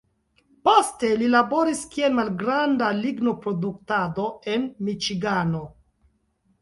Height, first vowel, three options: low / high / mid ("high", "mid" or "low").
mid